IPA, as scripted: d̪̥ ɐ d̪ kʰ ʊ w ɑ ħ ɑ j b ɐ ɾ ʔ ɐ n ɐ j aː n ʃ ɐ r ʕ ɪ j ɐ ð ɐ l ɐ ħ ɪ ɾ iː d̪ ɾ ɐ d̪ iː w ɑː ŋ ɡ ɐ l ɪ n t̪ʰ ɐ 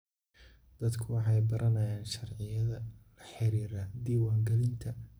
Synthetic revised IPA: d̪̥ ɐ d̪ kʰ ʊ w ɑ ħ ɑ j b ɐ ɾ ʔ ɐ n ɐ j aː n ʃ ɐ r ʕ ɪ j ɐ ð ɐ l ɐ ħ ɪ ɾ iː ɾ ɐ d̪ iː w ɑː ŋ ɡ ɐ l ɪ n t̪ʰ ɐ